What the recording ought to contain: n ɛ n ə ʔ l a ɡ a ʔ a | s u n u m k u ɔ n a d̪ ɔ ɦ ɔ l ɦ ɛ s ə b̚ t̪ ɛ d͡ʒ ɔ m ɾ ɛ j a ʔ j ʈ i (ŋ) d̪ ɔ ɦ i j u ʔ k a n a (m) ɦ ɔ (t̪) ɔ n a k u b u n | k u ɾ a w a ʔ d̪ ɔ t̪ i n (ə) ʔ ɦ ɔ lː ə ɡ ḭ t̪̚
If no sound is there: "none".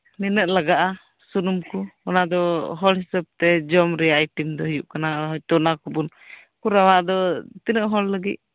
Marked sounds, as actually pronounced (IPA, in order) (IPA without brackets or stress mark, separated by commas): m, none, t̪, ə